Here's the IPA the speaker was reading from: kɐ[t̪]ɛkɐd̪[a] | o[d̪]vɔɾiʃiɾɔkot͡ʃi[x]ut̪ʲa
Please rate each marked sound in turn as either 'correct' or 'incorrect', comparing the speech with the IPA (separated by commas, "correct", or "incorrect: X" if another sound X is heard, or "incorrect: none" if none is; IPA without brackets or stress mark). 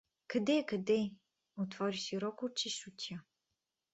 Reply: incorrect: d̪, incorrect: ɛ, incorrect: t̪, incorrect: ʃ